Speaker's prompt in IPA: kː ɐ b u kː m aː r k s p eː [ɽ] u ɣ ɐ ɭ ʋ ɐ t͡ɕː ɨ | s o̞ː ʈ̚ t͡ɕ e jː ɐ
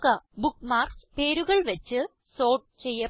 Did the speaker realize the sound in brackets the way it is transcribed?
no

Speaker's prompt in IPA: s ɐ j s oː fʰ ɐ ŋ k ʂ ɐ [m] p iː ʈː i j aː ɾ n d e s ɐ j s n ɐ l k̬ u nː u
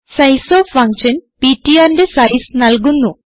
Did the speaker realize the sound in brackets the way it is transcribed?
no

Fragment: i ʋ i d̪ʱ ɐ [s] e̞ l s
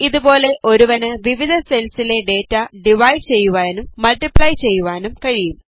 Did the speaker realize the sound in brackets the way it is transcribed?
yes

